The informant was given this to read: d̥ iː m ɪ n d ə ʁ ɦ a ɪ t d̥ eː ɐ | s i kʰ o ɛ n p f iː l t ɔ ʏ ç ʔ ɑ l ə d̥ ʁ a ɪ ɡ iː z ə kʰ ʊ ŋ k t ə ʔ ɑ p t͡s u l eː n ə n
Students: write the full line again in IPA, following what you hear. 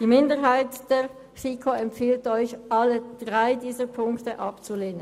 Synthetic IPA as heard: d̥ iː m ɪ n d ə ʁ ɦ a ɪ t d̥ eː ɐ | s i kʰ o ɛ m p f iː l t ɔ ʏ ç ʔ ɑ l ə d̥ ʁ a ɪ d iː z ə pʰ ʊ ŋ k t ə ʔ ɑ p t͡s u l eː n ə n